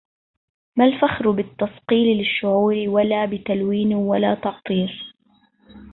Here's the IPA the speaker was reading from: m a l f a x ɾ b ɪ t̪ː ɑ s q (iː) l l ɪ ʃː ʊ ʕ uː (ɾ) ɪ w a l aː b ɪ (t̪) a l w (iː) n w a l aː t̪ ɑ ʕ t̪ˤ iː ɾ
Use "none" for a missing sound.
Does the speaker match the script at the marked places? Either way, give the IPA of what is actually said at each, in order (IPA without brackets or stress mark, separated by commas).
iː, ɾ, t̪, iː